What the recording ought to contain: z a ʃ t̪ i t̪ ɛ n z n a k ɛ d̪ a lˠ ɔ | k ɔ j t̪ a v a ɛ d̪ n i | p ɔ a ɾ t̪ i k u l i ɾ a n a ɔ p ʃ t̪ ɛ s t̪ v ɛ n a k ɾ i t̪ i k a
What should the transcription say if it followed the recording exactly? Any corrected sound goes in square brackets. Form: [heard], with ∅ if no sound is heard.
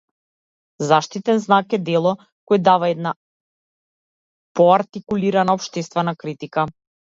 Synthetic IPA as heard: z a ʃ t̪ i t̪ ɛ n z n a k ɛ d̪ [ɛ] lˠ ɔ | k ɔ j [d̪] a v a ɛ d̪ n [a] | p ɔ a ɾ t̪ i k u l i ɾ a n a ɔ p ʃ t̪ ɛ s t̪ v ɛ n a k ɾ i t̪ i k a